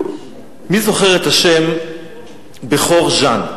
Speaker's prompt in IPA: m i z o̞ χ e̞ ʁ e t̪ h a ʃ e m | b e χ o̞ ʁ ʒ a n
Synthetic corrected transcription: m i z o̞ χ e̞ ʁ e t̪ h a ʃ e m | b e χ o̞ ʁ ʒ a n